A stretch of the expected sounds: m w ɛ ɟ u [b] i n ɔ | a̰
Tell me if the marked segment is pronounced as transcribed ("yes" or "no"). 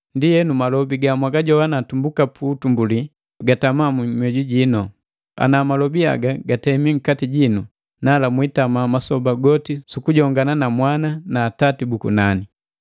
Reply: no